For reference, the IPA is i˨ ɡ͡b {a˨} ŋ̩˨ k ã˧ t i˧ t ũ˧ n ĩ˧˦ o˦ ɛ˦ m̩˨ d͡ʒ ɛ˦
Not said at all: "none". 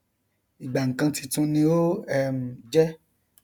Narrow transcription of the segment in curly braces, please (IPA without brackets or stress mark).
a˨